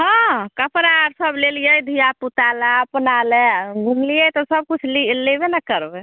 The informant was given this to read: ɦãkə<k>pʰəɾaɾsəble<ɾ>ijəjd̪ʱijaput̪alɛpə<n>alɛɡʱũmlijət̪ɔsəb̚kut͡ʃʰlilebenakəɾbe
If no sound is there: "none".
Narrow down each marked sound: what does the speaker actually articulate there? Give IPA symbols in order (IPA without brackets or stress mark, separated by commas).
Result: none, l, n